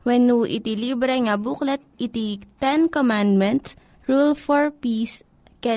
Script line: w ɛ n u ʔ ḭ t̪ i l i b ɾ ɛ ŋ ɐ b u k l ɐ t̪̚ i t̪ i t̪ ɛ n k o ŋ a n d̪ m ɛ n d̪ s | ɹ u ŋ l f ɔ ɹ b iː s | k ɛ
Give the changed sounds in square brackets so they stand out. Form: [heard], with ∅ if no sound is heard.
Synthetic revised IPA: w ɛ n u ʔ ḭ t̪ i l i b ɾ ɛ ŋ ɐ b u k l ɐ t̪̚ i t̪ i t̪ ɛ n k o [m] a n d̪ m ɛ n [t̪] s | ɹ u [∅] l f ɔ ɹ [p] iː s | k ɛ